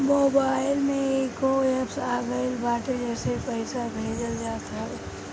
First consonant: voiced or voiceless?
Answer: voiced